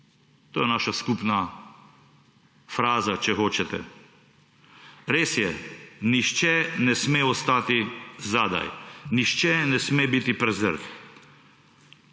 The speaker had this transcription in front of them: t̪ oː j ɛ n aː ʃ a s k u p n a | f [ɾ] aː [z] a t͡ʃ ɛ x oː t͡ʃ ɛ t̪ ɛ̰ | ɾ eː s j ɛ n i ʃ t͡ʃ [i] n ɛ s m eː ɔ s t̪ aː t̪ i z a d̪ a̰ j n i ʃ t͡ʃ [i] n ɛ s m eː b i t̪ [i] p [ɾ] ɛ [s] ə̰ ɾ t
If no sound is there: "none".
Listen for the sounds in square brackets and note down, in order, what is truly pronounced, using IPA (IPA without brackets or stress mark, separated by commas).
ɾ, z, ɛ, ɛ, i, ɾ, z